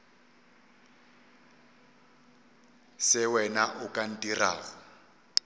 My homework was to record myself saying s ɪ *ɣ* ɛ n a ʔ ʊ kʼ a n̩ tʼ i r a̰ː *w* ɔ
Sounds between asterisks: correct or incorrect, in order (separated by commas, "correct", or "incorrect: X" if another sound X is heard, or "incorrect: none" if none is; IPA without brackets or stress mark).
incorrect: w, incorrect: ɣ